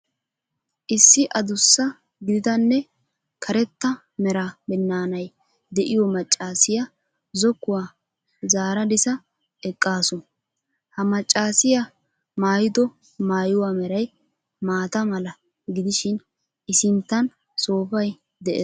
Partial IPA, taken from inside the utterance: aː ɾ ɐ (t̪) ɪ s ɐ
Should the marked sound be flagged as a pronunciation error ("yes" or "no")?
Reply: yes